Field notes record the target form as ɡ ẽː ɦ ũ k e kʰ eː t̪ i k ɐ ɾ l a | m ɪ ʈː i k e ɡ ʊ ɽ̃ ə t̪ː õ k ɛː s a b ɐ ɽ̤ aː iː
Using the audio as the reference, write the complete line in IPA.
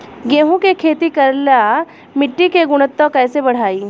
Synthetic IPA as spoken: ɡ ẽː ɦ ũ k e kʰ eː t̪ i k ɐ ɾ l a | m ɪ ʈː i k e ɡ ʊ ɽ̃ ə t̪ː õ k ɛː s e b ɐ ɽ̤ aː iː